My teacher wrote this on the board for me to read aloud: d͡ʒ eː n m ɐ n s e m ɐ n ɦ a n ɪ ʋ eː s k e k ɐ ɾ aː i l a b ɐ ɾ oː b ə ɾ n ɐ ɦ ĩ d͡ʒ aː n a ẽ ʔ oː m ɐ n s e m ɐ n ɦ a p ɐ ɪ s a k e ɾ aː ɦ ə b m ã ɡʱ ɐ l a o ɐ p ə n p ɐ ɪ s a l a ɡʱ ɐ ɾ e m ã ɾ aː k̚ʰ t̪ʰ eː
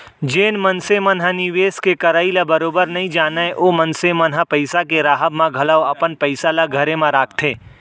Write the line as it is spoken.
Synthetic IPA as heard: d͡ʒ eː n m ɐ n s e m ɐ n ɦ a n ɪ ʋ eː s k e k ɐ ɾ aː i l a b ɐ ɾ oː b ə ɾ n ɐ ɦ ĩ d͡ʒ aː n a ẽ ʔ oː m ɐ n s e m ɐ n ɦ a p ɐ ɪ s a k e ɾ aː ɦ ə b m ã ɡʱ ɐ l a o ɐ p ə n p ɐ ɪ s a l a ɡʱ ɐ ɾ e m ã ɾ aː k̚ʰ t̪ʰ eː